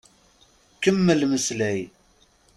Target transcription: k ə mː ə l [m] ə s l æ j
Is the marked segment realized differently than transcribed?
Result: no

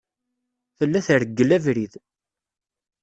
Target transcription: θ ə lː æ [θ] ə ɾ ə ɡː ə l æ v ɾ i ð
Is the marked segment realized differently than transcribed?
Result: no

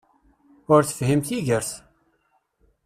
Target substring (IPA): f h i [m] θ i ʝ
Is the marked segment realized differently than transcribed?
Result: no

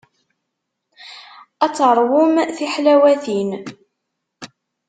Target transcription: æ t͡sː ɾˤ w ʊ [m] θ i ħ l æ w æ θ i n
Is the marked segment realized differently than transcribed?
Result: no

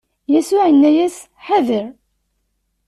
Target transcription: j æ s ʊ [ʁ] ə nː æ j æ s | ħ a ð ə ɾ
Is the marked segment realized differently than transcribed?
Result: yes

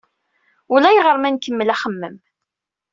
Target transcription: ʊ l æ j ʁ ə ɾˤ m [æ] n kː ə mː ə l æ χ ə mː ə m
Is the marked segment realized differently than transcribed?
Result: no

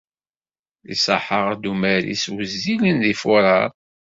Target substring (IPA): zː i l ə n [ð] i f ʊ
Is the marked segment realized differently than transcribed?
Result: no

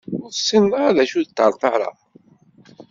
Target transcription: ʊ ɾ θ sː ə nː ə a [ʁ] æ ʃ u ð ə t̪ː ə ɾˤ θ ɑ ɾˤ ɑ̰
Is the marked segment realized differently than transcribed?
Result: yes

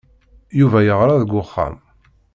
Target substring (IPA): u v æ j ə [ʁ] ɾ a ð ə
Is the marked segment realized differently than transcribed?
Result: no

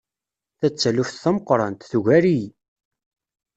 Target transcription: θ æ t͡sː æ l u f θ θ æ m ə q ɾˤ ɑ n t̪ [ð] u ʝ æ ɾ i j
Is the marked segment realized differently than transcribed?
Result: yes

